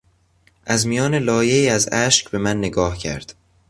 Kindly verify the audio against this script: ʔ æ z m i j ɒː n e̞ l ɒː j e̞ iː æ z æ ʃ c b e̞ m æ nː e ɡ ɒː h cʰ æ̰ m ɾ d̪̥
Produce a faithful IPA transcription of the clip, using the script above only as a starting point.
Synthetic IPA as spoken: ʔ æ z m i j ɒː n e̞ l ɒː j e̞ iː æ z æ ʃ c b e̞ m æ nː e ɡ ɒː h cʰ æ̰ ɾ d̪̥

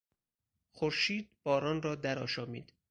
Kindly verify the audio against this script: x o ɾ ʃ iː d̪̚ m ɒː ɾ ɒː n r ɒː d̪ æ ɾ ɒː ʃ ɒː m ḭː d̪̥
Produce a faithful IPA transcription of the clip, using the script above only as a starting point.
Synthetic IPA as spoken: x o ɾ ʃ iː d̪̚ b ɒː ɾ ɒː n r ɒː d̪ æ ɾ ɒː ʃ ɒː m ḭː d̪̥

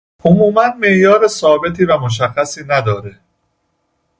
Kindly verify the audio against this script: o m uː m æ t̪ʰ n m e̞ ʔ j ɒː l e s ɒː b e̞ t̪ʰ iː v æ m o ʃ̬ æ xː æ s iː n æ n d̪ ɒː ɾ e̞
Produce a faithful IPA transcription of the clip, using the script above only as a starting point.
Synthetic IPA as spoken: o m uː m æ n m e̞ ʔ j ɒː ɾ e s ɒː b e̞ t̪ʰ iː v æ m o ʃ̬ æ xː æ s iː n æ d̪ ɒː ɾ e̞

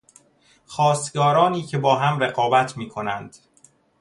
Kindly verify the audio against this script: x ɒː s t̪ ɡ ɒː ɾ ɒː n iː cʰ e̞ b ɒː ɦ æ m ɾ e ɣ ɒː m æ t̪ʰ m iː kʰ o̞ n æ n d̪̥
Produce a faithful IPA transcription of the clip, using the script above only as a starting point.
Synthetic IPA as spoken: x ɒː s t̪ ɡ ɒː ɾ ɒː n iː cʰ e̞ b ɒː ɦ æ m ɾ e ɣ ɒː b æ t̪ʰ m iː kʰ o̞ n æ n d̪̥

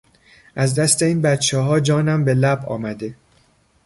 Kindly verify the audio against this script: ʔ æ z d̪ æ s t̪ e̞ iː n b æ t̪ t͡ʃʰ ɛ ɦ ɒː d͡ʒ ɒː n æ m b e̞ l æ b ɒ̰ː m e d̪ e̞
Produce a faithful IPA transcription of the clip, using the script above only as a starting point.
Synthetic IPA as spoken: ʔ æ z d̪ æ s t̪ e̞ iː n b æ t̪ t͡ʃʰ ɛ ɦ ɒː d͡ʒ ɒː n æ m b e̞ l æ b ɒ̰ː m æ d̪ e̞

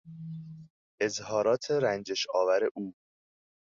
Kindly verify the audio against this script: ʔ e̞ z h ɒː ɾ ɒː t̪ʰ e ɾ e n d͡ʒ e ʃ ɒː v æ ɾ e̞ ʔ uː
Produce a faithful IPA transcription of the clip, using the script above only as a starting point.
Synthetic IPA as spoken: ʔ e̞ z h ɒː ɾ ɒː t̪ʰ e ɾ æ n d͡ʒ e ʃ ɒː v æ ɾ e̞ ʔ uː

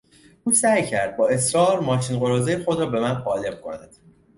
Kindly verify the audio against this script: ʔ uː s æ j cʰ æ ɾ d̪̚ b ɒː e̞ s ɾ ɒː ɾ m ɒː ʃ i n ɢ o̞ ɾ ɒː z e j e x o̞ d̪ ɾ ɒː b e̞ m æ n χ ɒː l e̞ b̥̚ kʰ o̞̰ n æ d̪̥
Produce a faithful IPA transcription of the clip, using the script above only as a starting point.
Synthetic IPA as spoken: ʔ uː s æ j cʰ æ ɾ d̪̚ b ɒː e̞ s ɾ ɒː ɾ m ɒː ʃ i n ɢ o̞ ɾ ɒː z e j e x o̞ d̪ ɾ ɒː b e̞ m æ n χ ɒː l e̞ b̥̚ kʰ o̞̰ n æ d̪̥

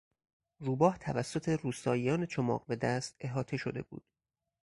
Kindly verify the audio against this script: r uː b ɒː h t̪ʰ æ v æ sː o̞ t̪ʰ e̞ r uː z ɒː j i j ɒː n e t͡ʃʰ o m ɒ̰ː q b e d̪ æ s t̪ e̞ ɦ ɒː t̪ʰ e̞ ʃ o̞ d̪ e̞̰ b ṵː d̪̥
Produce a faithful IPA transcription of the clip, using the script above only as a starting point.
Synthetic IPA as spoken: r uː b ɒː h t̪ʰ æ v æ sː o̞ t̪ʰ e̞ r uː s ɒː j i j ɒː n e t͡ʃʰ o m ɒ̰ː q b e d̪ æ s t̪ e̞ ɦ ɒː t̪ʰ e̞ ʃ o̞ d̪ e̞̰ b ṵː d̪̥

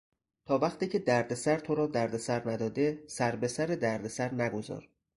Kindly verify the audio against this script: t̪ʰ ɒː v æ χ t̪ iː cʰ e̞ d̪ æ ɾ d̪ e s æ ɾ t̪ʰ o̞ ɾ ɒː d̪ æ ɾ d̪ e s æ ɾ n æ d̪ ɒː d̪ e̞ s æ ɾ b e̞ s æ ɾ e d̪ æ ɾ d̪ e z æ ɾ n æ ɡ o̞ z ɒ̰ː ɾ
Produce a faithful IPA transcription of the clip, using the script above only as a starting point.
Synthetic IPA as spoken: t̪ʰ ɒː v æ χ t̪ iː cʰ e̞ d̪ æ ɾ d̪ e s æ ɾ t̪ʰ o̞ ɾ ɒː d̪ æ ɾ d̪ e s æ ɾ n æ d̪ ɒː d̪ e̞ s æ ɾ b e̞ s æ ɾ e d̪ æ ɾ d̪ e s æ ɾ n æ ɡ o̞ z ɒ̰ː ɾ

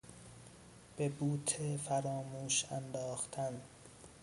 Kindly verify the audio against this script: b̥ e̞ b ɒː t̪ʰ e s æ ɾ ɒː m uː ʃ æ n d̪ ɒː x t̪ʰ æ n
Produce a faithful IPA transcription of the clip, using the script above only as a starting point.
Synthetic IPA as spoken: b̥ e̞ b uː t̪ʰ e f æ ɾ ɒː m uː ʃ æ n d̪ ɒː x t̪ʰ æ n

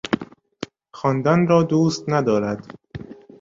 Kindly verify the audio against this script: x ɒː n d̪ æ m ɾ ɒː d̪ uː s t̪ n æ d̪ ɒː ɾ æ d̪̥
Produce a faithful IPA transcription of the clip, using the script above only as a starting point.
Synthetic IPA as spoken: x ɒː n d̪ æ n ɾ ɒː d̪ uː s t̪ n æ d̪ ɒː ɾ æ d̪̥

